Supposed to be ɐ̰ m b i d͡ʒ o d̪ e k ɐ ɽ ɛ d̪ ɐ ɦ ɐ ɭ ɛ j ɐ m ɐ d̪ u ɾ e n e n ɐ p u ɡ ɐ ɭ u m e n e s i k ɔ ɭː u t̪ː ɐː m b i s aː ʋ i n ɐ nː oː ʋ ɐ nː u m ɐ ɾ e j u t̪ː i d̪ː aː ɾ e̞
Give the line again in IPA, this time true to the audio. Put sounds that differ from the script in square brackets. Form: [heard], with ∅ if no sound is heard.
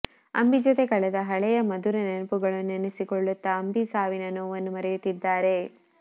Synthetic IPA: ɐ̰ m b i d͡ʒ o [t̪] e k ɐ [ɭ] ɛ d̪ ɐ ɦ ɐ ɭ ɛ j ɐ m ɐ d̪ u ɾ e n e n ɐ p u ɡ ɐ ɭ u [n] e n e s i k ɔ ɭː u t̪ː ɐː m b i s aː ʋ i n ɐ [n] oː ʋ ɐ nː u m ɐ ɾ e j u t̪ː i d̪ː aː ɾ e̞

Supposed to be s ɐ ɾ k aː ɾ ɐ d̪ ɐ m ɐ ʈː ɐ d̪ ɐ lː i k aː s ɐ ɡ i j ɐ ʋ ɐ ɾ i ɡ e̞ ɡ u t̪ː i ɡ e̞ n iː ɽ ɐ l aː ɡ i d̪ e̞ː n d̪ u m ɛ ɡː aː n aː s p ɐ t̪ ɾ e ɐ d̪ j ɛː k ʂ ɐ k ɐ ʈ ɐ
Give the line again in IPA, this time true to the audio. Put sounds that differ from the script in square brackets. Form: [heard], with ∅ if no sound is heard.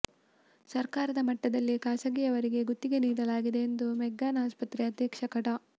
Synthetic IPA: s ɐ ɾ k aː ɾ ɐ d̪ ɐ m ɐ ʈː ɐ d̪ ɐ lː i k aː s ɐ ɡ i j ɐ ʋ ɐ ɾ i ɡ e̞ ɡ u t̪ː i ɡ e̞ n iː ɽ ɐ l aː ɡ i d̪ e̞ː n d̪ u m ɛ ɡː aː n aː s p ɐ t̪ ɾ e ɐ d̪ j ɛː k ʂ ɐ k ɐ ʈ ɐ

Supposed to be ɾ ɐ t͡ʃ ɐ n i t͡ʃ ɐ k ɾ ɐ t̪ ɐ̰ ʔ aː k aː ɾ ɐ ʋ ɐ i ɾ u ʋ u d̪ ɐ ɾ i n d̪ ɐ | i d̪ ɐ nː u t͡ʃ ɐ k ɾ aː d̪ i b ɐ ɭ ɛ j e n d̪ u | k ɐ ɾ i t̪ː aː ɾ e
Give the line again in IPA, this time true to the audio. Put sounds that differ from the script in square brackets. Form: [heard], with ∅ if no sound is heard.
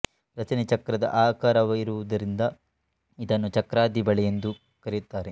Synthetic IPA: ɾ ɐ t͡ʃ ɐ n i t͡ʃ ɐ k ɾ ɐ [d̪] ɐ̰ ʔ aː k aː ɾ ɐ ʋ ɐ i ɾ u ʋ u d̪ ɐ ɾ i n d̪ ɐ | i d̪ ɐ nː u t͡ʃ ɐ k ɾ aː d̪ i b ɐ ɭ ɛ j e n d̪ u | k ɐ ɾ i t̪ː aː ɾ e

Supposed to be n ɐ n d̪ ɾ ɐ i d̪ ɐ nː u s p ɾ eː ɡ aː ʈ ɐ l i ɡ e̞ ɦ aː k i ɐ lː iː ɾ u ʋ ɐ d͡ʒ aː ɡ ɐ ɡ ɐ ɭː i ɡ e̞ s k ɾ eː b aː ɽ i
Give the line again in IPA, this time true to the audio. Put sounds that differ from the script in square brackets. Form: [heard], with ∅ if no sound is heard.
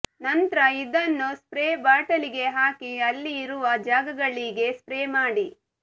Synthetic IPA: n ɐ n [t̪] ɾ ɐ i d̪ ɐ nː u s p ɾ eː [b] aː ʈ ɐ l i ɡ e̞ ɦ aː k i ɐ lː iː ɾ u ʋ ɐ d͡ʒ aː ɡ ɐ ɡ ɐ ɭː i ɡ e̞ s [p] ɾ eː [m] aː ɽ i

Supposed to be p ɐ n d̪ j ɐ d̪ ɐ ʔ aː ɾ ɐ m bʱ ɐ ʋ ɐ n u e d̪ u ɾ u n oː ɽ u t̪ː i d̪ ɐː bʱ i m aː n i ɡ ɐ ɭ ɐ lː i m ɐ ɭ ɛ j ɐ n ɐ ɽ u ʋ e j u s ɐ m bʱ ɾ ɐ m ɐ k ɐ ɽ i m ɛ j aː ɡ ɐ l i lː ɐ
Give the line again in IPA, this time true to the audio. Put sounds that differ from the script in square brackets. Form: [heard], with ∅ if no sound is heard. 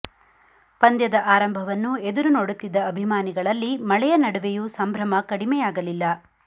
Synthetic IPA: p ɐ n d̪ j ɐ d̪ ɐ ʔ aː ɾ ɐ m bʱ ɐ ʋ ɐ [nː] u e d̪ u ɾ u n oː ɽ u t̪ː i d̪ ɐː bʱ i m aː n i ɡ ɐ ɭ ɐ lː i m ɐ ɭ ɛ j ɐ n ɐ ɽ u ʋ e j u s ɐ m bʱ ɾ ɐ m ɐ k ɐ ɽ i m ɛ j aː ɡ ɐ l i lː ɐ

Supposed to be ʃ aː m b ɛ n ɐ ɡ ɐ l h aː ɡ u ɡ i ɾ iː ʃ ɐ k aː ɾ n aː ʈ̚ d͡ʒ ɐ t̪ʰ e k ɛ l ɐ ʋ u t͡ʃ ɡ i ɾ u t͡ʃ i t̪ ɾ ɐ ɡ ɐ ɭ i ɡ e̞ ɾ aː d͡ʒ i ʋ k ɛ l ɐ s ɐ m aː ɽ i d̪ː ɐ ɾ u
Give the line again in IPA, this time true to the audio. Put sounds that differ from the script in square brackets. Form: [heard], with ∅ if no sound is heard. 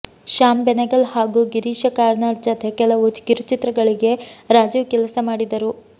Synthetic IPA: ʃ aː m b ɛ n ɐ ɡ ɐ l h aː ɡ u ɡ i ɾ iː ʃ ɐ k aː ɾ n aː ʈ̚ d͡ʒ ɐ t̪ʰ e k ɛ l ɐ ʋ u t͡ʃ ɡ i ɾ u t͡ʃ i t̪ ɾ ɐ ɡ ɐ ɭ i ɡ e̞ ɾ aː d͡ʒ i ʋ k ɛ l ɐ s ɐ m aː ɽ i [d̪] ɐ ɾ u

